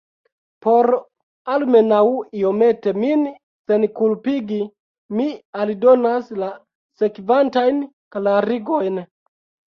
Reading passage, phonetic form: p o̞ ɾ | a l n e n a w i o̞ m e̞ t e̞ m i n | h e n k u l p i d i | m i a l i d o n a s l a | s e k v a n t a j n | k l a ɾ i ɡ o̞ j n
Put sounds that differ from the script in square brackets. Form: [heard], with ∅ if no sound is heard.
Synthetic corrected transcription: p o̞ ɾ | a l [m] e n a w i o̞ m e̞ t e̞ m i n | [s] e n k u l p i [ɡ] i | m i a l i d o n a s l a | s e k v a n t a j n | k l a ɾ i ɡ o̞ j n